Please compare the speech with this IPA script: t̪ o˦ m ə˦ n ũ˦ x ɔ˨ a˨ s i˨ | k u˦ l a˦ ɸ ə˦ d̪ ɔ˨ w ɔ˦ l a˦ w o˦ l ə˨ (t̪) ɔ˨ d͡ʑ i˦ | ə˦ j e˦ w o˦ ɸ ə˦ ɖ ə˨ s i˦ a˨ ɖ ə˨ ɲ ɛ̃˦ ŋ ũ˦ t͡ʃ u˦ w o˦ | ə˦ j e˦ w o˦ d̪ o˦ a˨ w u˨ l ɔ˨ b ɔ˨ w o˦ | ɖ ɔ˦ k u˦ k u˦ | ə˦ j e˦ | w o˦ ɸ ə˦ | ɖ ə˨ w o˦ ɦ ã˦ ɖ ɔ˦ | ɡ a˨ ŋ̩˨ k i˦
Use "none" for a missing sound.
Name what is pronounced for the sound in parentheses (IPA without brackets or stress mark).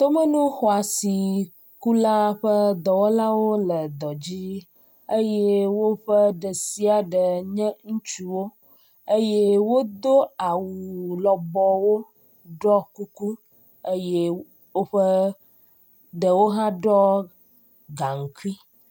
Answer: d̪